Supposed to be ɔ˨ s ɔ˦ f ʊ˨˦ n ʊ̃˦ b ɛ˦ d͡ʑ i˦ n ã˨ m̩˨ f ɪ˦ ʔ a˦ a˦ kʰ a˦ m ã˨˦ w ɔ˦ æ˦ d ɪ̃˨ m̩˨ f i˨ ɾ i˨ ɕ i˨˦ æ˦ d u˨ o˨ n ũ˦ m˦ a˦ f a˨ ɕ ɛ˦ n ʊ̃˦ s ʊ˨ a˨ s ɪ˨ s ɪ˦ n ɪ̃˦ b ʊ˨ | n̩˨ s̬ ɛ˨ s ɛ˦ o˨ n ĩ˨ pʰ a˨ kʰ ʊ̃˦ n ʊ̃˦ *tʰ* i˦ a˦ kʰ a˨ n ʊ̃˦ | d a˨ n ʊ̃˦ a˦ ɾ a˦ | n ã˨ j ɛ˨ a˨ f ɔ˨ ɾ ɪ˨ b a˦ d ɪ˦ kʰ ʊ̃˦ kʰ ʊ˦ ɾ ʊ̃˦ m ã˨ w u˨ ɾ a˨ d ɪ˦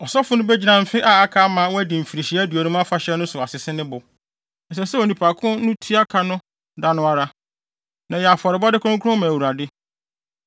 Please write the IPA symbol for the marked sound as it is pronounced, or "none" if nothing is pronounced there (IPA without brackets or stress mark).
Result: tʰ